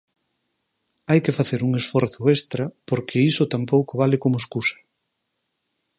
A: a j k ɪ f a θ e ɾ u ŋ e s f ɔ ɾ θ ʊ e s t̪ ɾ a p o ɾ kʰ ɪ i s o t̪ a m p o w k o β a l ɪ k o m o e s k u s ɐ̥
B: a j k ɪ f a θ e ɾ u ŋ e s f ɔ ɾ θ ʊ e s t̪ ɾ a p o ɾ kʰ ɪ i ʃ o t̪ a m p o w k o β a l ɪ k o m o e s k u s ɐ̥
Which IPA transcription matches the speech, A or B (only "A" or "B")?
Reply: A